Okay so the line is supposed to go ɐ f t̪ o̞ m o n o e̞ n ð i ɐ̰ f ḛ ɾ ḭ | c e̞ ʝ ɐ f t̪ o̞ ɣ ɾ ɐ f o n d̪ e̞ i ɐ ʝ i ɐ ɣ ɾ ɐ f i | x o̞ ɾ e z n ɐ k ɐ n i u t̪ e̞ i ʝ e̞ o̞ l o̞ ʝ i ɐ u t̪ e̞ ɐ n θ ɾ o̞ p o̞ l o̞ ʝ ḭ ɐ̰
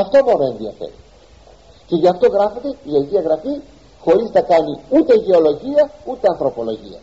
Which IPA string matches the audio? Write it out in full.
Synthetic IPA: ɐ f t̪ o̞ m o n o e̞ n ð i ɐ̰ f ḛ ɾ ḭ | c e̞ ʝ ɐ f t̪ o̞ ɣ ɾ ɐ f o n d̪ e̞ i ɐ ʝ i ɐ ɣ ɾ ɐ f i | x o̞ ɾ i z n ɐ k ɐ n i u t̪ e̞ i ʝ e̞ o̞ l o̞ ʝ i ɐ u t̪ e̞ ɐ n θ ɾ o̞ p o̞ l o̞ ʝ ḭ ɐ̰